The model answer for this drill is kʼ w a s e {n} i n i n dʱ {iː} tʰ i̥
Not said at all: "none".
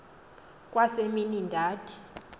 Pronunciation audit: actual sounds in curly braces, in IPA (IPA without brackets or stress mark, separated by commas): m, aː